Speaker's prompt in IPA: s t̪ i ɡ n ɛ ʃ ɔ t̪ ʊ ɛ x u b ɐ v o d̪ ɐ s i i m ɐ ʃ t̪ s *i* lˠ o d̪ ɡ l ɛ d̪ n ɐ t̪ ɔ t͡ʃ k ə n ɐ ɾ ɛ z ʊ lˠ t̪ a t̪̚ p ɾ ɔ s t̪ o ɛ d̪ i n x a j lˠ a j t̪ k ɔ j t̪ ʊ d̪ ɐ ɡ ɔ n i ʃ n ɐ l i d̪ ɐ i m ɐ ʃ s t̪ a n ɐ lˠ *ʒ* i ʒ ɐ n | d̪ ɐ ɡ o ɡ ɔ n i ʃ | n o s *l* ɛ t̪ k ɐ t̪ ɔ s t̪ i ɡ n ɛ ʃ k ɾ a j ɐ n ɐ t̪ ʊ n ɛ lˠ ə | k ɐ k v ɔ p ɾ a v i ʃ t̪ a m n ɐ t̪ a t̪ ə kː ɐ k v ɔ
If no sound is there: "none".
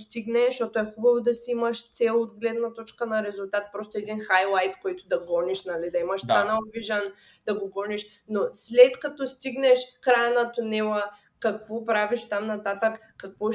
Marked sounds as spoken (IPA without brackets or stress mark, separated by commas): ɛ, v, l